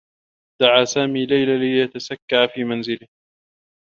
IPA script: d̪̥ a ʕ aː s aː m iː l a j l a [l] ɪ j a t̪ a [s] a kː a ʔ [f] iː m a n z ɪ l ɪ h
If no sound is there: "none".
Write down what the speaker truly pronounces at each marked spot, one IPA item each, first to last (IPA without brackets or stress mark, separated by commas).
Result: l, s, f